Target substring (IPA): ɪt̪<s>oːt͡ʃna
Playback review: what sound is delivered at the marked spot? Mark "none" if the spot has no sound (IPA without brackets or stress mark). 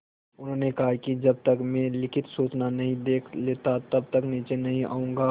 s